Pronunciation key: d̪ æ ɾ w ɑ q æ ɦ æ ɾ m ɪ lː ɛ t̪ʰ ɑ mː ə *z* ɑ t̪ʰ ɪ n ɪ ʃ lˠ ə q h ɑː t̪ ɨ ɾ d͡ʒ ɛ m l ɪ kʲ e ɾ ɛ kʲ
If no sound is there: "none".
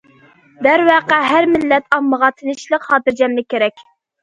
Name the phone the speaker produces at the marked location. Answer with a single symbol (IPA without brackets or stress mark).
ʁ